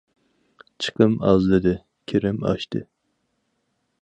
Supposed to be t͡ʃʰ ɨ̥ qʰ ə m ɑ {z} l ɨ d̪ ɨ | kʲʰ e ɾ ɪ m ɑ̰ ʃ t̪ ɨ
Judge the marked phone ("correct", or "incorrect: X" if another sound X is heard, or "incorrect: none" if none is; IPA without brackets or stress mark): correct